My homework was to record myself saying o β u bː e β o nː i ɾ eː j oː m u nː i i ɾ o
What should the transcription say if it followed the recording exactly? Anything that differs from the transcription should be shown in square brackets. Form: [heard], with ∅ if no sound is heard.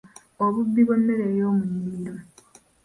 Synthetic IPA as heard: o β u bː [i] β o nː [e] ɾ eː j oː m u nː i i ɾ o